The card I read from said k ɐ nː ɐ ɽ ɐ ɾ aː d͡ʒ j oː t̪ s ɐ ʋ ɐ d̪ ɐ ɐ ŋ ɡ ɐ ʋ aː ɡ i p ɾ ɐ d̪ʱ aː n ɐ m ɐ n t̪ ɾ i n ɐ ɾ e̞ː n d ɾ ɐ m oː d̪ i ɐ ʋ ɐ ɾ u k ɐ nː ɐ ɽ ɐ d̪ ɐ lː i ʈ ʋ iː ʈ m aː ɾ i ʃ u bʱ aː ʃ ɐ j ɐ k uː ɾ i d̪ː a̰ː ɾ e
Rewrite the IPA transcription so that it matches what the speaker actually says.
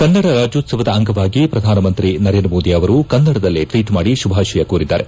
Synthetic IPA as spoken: k ɐ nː ɐ ɽ ɐ ɾ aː d͡ʒ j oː t̪ s ɐ ʋ ɐ d̪ ɐ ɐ ŋ ɡ ɐ ʋ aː ɡ i p ɾ ɐ d̪ʱ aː n ɐ m ɐ n t̪ ɾ i n ɐ ɾ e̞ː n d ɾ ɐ m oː d̪ i ɐ ʋ ɐ ɾ u k ɐ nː ɐ ɽ ɐ d̪ ɐ lː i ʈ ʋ iː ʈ m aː ɽ i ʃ u bʱ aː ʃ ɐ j ɐ k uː ɾ i d̪ː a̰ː ɾ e